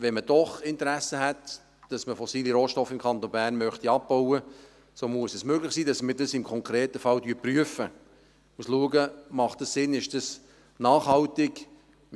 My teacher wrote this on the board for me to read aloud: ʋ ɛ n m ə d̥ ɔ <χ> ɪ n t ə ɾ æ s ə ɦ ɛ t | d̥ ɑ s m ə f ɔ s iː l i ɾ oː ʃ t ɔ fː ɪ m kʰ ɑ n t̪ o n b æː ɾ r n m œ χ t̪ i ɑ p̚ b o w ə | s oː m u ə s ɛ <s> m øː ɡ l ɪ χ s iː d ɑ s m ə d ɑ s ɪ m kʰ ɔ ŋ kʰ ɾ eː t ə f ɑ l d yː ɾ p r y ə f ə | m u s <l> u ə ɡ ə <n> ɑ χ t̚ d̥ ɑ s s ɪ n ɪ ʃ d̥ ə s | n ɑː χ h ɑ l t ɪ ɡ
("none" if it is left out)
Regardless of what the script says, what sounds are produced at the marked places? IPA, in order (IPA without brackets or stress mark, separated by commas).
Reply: χ, s, l, m